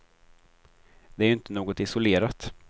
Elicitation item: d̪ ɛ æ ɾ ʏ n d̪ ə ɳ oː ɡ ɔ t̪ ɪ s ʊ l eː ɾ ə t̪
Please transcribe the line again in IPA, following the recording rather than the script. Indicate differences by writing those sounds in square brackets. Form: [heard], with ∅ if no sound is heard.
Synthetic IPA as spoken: d̪ ɛ æ ɾ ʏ n [t̪] ə [n] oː ɡ ɔ t̪ ɪ s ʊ l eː ɾ [a] t̪